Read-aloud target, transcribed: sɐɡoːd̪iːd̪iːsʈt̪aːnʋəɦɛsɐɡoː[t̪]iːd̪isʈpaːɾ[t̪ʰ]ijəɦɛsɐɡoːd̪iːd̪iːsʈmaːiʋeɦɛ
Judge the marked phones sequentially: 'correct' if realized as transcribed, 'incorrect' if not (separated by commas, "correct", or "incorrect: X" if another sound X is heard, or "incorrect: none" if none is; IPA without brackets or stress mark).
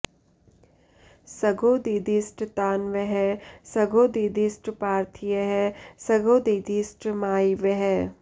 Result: incorrect: d̪, correct